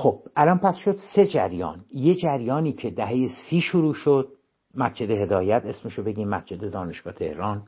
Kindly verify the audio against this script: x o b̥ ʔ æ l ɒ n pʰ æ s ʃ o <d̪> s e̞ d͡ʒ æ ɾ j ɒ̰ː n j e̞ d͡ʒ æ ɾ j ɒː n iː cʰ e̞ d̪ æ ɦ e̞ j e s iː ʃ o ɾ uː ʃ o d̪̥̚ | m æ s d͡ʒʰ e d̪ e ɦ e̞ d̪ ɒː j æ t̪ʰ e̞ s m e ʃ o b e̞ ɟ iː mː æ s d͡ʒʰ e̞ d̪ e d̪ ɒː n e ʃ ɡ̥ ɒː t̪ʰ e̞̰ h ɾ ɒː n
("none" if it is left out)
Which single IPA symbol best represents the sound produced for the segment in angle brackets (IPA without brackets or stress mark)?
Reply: d̪